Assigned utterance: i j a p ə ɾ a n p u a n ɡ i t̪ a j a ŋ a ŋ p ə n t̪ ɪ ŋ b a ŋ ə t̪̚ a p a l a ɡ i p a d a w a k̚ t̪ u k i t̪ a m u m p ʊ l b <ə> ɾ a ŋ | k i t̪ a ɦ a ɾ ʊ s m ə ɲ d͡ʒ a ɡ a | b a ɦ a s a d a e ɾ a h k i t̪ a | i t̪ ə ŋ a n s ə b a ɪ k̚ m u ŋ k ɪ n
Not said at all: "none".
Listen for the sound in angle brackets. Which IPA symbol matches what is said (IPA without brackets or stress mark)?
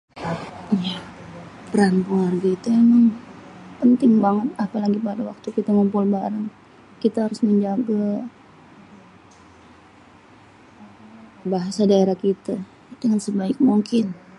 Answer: a